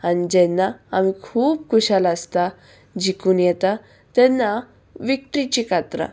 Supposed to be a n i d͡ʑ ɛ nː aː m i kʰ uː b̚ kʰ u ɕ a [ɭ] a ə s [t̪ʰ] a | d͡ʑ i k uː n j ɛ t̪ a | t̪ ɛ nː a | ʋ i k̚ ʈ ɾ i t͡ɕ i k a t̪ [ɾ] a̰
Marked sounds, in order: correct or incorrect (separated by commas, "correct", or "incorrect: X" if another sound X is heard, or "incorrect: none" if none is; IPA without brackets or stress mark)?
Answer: incorrect: l, incorrect: t̪, correct